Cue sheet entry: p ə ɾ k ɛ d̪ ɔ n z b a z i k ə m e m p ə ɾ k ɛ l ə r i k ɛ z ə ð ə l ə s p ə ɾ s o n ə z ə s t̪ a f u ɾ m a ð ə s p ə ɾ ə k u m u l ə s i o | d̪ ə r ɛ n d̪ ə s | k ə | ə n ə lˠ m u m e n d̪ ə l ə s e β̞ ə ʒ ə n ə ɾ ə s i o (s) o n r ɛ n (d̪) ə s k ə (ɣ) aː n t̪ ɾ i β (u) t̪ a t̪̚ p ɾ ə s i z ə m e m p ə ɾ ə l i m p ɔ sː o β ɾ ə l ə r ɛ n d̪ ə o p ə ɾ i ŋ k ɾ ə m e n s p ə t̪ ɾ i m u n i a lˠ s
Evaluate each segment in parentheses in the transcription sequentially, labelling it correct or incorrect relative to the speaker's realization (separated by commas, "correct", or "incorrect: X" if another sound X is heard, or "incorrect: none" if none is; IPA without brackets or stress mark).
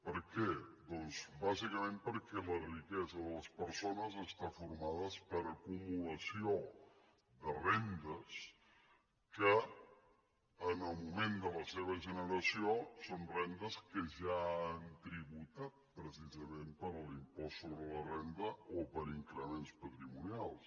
correct, correct, incorrect: ʒ, correct